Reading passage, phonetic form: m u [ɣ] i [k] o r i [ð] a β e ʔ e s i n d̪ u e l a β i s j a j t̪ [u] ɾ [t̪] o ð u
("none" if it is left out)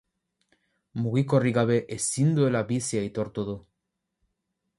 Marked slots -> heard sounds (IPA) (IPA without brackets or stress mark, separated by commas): ɣ, k, ɣ, o, t̪